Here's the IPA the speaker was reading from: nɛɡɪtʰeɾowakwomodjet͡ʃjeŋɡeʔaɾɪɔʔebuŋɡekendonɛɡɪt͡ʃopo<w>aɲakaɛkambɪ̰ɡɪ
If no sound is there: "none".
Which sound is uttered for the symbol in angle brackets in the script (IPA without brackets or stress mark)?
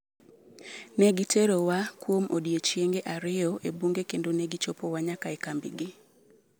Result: w